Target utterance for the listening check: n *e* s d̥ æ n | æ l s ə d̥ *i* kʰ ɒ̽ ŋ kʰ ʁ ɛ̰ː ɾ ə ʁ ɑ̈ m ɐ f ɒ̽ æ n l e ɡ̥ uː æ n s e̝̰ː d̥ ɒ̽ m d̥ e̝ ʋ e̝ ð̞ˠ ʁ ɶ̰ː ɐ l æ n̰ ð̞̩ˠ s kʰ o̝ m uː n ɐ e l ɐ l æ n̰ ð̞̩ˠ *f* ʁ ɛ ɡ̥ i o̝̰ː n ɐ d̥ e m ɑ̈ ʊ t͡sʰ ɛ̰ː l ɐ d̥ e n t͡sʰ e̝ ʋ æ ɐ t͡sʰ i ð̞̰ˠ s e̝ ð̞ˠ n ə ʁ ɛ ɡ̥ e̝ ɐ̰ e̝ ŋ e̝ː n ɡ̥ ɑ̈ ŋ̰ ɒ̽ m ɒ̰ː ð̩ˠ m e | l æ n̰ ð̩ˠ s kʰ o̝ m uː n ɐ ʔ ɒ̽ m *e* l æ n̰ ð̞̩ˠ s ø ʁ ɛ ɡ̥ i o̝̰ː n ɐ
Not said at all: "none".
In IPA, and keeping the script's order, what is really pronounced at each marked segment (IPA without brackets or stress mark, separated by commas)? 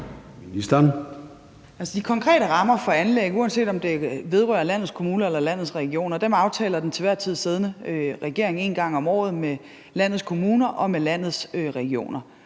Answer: i, i, s, e